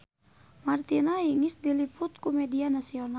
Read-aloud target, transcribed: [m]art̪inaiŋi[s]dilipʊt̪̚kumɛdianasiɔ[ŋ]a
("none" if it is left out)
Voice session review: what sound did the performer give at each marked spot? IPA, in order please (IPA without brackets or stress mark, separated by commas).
m, s, n